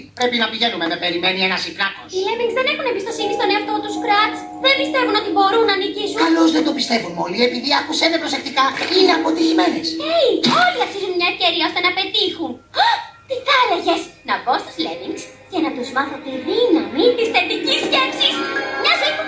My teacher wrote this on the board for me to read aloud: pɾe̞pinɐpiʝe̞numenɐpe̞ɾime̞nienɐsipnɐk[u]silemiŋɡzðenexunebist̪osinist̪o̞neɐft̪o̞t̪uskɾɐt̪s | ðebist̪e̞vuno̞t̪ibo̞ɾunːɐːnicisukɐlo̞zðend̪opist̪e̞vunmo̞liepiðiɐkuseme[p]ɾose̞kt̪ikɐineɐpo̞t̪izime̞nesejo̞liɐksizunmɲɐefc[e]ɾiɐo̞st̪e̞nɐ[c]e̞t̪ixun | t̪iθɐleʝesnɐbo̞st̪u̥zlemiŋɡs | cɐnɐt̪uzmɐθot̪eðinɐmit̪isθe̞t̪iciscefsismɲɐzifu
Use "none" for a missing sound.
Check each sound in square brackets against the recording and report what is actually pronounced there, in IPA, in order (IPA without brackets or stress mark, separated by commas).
o, p, e, p